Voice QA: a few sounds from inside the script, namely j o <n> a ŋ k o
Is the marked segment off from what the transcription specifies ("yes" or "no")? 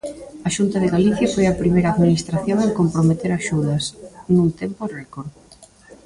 yes